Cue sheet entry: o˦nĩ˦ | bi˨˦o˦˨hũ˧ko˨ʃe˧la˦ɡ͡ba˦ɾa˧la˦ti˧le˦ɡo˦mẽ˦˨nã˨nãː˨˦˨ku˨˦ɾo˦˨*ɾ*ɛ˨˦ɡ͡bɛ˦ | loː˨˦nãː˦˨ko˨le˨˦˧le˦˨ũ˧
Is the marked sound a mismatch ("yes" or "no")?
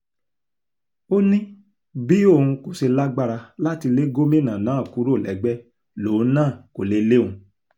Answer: yes